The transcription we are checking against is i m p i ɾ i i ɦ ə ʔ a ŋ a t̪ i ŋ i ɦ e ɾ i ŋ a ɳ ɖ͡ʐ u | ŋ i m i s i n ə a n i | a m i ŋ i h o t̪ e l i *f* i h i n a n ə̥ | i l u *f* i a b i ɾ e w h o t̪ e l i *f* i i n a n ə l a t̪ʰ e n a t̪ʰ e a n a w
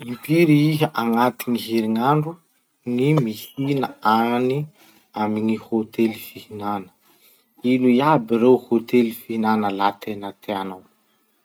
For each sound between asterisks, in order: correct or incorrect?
correct, incorrect: none, correct

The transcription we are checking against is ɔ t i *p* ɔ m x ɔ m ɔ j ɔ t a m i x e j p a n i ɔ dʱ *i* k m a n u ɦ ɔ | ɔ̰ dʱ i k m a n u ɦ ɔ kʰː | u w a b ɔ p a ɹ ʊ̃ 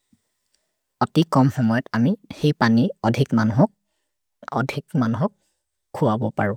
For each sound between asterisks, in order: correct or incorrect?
incorrect: k, correct

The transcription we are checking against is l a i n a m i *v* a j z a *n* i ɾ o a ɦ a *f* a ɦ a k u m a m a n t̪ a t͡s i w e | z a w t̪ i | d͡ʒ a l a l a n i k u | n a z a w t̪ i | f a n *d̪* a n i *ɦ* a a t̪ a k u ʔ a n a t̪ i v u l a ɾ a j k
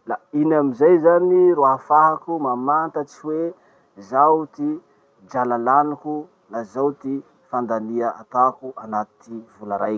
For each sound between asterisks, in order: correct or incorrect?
incorrect: z, correct, correct, correct, incorrect: none

